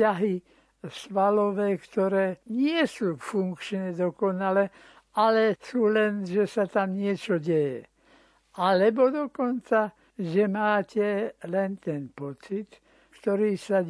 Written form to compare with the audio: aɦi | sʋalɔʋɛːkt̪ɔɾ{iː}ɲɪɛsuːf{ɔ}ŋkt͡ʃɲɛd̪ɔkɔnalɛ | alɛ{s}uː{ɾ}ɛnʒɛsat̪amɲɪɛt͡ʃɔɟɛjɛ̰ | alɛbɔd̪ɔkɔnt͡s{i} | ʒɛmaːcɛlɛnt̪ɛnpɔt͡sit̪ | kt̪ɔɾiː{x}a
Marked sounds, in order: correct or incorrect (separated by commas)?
incorrect, incorrect, correct, incorrect, incorrect, incorrect